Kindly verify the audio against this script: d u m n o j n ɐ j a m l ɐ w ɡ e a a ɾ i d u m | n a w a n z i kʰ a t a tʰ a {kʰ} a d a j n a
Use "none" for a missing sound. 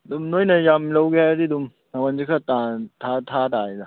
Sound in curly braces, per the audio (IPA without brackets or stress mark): tʰ